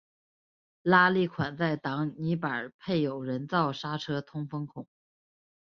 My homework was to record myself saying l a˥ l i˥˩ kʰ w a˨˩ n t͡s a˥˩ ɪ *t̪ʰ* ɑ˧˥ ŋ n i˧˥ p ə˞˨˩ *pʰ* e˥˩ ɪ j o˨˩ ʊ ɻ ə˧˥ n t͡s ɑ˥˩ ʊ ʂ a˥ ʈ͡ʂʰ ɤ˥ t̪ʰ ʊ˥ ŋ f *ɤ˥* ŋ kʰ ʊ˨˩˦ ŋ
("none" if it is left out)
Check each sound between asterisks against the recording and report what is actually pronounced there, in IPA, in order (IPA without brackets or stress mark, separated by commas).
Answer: t̪, pʰ, ɤ˥